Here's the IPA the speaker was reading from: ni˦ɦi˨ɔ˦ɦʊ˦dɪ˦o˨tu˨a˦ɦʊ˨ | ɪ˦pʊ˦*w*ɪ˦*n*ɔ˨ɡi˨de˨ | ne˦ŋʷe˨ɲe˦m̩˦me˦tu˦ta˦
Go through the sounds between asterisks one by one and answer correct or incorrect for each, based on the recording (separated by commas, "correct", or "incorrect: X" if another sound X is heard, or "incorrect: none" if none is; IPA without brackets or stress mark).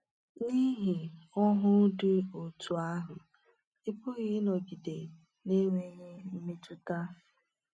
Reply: incorrect: ɣ, correct